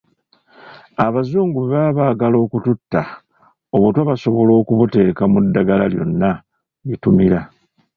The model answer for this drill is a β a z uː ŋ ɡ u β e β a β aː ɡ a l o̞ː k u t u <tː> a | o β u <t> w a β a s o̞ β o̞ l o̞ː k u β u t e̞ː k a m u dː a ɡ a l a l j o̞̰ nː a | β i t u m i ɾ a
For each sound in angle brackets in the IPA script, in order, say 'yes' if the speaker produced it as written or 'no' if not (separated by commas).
yes, yes